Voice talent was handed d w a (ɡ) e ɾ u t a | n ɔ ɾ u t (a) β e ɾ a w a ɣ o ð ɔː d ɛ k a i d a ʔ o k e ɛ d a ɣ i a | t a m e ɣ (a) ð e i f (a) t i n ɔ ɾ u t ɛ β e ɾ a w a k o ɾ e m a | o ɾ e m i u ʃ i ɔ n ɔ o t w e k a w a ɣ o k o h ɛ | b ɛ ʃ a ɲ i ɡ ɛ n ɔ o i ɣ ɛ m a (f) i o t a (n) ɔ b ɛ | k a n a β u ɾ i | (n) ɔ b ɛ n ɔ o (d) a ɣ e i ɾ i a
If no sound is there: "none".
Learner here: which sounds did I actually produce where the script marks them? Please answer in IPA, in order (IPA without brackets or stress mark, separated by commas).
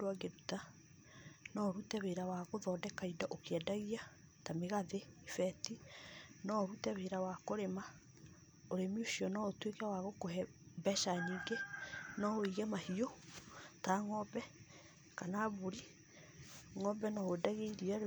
ɡ, ɛ, a, ɛ, h, ŋ, ŋ, d